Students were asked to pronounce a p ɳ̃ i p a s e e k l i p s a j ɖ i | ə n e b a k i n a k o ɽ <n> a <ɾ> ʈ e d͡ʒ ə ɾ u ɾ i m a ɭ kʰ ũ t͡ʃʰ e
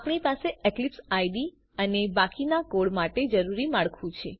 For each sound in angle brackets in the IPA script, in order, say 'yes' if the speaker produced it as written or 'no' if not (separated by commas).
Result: no, no